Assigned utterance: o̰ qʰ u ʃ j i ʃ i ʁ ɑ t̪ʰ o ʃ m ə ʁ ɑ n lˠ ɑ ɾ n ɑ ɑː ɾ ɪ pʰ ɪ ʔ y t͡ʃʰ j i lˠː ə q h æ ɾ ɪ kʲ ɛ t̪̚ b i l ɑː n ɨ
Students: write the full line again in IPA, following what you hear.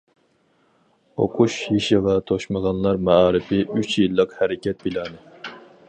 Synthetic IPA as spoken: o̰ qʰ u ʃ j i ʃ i ʁ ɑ t̪ʰ o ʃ m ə ʁ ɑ n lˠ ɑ ɾ m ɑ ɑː ɾ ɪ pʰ ɪ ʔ y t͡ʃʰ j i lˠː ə q h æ ɾ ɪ kʲ ɛ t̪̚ b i l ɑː n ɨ